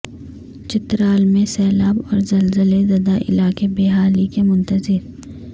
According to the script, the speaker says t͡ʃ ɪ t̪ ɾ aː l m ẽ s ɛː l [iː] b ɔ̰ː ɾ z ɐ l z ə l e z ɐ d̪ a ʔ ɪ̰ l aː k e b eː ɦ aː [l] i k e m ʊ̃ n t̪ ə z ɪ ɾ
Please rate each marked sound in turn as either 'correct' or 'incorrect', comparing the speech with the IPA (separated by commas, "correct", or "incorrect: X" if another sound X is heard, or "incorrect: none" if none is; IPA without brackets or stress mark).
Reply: incorrect: aː, correct